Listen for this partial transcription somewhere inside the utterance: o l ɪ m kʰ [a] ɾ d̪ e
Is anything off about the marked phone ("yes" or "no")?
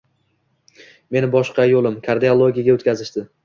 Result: no